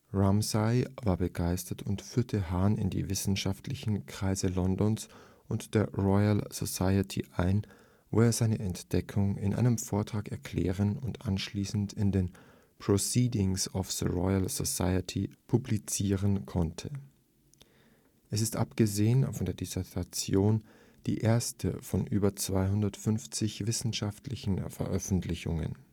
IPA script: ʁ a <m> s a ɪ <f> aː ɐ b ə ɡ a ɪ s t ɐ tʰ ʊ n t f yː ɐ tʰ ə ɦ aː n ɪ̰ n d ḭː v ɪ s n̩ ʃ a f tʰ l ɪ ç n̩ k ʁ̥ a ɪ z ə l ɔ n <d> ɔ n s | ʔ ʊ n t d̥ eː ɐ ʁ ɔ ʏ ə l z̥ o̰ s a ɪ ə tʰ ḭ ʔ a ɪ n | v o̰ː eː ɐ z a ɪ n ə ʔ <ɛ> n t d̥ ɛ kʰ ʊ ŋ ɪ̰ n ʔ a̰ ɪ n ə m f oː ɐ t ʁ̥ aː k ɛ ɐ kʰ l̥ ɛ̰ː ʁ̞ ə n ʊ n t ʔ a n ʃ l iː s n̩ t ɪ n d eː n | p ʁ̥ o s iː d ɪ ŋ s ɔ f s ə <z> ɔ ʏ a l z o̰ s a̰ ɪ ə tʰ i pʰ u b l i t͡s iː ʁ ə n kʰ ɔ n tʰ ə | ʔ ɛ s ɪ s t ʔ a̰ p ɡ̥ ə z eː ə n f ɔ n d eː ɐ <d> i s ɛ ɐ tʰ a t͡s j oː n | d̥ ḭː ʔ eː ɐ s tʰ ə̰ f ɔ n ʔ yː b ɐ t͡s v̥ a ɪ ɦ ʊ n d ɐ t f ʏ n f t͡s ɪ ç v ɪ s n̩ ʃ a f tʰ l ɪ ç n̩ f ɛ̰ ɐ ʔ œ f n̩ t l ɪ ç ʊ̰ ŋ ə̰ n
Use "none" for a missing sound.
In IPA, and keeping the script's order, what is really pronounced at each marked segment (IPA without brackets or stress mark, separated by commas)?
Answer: m, v, d, ɛ, ʁ, d